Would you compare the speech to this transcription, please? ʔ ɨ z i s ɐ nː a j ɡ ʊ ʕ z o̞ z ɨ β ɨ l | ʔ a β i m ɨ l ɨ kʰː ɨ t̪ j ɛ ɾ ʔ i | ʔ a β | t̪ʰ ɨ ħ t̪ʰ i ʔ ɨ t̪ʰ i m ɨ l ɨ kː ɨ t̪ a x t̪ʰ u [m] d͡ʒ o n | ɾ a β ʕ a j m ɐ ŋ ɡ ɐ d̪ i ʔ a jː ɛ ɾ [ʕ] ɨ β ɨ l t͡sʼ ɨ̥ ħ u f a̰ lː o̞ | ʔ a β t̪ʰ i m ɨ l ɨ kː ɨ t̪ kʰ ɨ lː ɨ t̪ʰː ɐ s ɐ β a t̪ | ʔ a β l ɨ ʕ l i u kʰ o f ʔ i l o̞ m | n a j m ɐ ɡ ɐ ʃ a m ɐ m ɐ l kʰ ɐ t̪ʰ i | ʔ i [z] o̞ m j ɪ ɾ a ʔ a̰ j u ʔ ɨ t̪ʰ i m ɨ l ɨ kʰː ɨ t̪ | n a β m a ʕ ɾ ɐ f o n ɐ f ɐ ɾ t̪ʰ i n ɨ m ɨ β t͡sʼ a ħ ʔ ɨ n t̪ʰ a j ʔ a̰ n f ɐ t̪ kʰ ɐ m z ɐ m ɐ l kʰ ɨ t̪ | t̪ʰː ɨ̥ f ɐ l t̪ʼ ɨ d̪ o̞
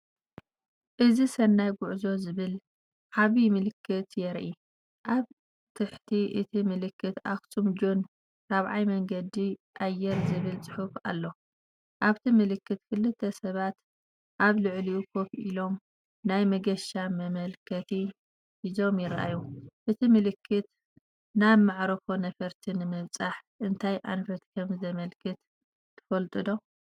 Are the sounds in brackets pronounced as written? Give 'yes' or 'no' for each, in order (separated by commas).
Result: yes, no, yes